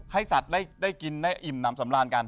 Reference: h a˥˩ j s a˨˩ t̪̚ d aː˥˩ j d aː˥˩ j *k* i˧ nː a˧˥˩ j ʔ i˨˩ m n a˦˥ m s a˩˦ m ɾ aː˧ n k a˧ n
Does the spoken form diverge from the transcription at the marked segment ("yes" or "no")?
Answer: no